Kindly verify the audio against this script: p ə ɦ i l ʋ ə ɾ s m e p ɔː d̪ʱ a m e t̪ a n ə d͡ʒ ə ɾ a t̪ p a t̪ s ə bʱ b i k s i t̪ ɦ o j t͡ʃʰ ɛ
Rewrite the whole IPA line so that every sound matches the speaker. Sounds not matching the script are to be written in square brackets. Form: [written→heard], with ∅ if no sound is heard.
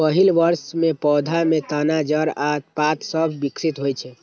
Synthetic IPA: p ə ɦ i l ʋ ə ɾ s m e p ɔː d̪ʱ a m e t̪ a n [ə→a] d͡ʒ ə ɾ a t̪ p a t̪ s ə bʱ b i k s i t̪ ɦ o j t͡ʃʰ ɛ